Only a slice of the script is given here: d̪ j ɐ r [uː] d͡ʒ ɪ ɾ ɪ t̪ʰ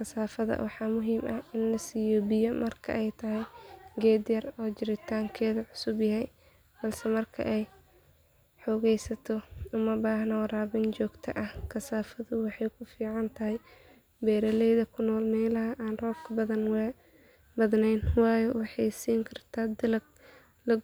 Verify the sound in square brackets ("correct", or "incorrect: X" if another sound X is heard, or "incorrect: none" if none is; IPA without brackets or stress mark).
incorrect: ɔː